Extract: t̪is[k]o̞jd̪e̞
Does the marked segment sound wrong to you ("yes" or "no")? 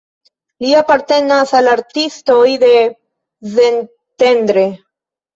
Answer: yes